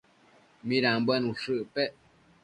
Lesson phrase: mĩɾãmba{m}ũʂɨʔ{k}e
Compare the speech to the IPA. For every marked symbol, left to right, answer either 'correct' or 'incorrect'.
incorrect: n, incorrect: p

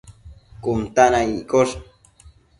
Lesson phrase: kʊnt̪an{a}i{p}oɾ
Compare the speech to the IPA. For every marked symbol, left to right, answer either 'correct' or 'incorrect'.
correct, incorrect: k

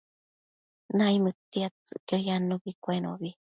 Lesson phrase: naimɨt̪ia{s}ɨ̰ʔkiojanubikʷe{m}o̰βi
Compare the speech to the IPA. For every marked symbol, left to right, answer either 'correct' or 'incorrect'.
incorrect: t͡s, incorrect: n

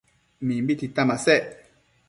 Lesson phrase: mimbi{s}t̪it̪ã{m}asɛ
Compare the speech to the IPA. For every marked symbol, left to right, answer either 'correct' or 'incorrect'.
incorrect: none, correct

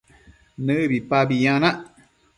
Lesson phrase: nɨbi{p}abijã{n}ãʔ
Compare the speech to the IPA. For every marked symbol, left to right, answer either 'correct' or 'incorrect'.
correct, correct

